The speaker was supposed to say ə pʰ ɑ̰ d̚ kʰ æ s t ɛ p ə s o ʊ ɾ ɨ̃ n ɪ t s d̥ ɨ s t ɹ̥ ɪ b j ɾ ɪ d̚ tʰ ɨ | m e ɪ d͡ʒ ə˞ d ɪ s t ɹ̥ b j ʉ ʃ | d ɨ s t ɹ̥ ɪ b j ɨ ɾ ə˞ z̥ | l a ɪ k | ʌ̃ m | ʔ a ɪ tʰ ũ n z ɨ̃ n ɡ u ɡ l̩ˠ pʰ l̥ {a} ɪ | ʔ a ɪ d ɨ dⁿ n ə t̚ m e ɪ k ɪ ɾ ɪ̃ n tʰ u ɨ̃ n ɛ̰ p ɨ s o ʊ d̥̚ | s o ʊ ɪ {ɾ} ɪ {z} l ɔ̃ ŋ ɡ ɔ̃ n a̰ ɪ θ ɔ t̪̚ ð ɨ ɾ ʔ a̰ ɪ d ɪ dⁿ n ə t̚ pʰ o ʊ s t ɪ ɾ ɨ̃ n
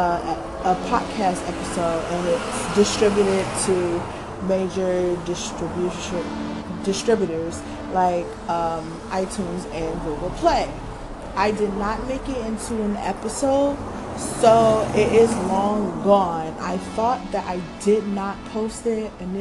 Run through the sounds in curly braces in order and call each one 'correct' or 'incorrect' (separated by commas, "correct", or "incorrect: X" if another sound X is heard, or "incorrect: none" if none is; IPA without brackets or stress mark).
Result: incorrect: e, correct, correct